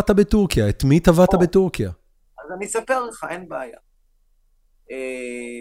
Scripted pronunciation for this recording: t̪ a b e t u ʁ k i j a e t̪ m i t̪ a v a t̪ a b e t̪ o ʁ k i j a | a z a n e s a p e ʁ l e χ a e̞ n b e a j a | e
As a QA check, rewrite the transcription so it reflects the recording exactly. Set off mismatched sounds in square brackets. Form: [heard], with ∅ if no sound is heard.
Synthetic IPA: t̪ a b e t u ʁ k i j a e t̪ m i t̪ a v a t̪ a b e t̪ [u] ʁ k i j a | a z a n [i] s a p e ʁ l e χ a e̞ n b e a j a | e